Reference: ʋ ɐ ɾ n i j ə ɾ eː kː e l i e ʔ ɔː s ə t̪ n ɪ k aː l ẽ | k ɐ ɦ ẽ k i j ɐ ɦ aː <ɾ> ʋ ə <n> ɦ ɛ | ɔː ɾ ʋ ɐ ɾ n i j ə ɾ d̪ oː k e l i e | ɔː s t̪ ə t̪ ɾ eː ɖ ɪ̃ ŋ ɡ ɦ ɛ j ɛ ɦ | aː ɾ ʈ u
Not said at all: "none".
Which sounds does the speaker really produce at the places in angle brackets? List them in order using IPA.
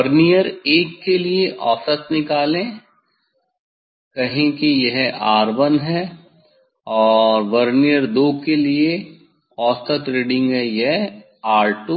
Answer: ɾ, n

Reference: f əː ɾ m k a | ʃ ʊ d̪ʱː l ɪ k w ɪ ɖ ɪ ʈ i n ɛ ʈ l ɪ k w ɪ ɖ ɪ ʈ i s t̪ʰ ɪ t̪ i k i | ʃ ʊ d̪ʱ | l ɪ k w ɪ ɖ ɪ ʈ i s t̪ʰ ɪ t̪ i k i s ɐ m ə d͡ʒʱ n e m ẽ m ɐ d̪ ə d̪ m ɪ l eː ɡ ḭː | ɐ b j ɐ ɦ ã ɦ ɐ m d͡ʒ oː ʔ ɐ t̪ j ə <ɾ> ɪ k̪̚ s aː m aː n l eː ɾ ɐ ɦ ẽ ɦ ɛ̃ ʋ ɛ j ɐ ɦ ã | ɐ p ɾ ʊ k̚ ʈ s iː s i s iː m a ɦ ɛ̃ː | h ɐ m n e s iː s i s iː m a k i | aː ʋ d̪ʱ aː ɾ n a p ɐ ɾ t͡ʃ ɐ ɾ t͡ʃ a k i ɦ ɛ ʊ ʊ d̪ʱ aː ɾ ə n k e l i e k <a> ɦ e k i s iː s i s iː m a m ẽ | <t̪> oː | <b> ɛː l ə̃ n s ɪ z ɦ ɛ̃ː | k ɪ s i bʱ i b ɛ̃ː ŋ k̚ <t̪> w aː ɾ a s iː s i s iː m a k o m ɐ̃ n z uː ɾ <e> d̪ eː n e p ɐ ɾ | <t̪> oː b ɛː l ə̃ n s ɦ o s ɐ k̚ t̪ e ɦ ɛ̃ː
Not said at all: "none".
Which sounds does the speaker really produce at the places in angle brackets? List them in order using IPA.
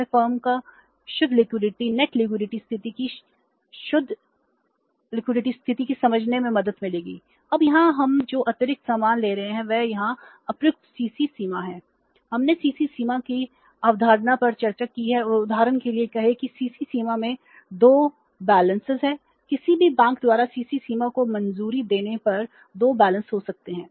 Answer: ɾ, ɐ, d̪, b, d̪, i, d̪

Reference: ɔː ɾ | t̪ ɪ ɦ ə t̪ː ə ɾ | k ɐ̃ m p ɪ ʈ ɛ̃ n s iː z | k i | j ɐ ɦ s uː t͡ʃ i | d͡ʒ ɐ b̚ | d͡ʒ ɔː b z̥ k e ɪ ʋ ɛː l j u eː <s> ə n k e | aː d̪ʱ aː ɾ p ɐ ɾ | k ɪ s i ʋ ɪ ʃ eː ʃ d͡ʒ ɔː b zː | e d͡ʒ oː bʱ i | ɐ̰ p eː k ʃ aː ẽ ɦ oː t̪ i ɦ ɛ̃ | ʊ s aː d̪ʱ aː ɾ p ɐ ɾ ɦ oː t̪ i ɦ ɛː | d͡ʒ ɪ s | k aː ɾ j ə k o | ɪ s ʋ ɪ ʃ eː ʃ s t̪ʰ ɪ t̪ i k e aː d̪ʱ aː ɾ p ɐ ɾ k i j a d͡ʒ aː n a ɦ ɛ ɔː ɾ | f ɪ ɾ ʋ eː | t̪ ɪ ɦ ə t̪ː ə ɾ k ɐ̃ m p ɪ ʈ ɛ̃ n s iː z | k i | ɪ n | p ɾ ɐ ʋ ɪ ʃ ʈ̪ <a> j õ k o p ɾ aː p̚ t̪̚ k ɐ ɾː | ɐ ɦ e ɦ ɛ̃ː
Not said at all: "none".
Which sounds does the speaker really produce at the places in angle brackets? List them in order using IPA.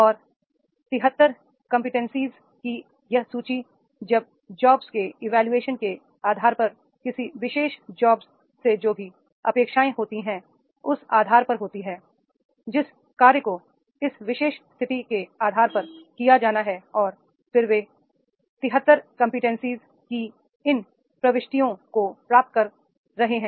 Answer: ʃ, i

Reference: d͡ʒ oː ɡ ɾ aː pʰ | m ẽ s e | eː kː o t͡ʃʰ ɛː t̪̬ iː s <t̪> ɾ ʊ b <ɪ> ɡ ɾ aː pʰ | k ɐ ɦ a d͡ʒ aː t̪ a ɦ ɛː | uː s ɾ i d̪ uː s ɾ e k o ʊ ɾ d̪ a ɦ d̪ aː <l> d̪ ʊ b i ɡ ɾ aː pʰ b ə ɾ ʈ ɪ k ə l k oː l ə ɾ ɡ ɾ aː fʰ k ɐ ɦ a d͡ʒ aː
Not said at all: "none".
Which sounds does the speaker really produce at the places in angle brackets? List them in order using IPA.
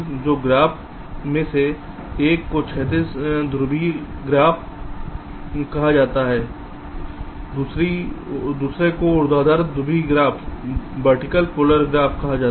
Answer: d̪, i, ɾ

